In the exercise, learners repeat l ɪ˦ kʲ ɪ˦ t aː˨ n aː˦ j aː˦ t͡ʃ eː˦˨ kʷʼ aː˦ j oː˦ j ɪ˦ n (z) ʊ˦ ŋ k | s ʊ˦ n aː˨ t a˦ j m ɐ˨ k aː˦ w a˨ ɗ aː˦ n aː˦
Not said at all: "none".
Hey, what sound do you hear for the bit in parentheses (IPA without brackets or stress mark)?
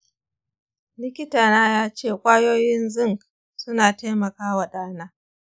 z